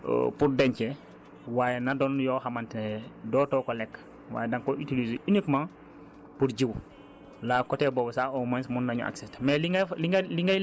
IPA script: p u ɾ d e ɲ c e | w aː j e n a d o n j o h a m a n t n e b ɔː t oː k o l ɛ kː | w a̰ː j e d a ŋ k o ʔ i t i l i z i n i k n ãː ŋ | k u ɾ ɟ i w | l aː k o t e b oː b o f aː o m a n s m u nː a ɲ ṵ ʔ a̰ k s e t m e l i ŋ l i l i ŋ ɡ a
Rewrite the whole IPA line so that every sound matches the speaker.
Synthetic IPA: p u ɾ d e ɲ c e | w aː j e n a d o n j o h a m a n t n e d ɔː t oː k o l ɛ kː | w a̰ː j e d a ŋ k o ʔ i t i l i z i n i k m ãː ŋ | p u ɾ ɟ i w | l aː k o t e b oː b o s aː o m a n s m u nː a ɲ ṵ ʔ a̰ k s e t m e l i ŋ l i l i ŋ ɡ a